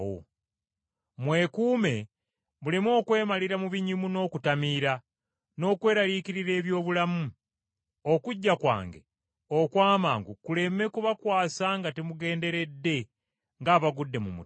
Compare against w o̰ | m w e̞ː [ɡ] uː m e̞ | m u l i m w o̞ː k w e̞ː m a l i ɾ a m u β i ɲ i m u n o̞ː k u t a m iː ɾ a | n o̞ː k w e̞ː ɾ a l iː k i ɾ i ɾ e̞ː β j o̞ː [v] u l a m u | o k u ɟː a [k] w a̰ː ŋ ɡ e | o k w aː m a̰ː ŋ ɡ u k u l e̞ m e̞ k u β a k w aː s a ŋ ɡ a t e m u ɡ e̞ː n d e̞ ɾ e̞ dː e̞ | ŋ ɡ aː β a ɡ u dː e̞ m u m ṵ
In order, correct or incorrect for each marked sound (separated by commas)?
incorrect, incorrect, correct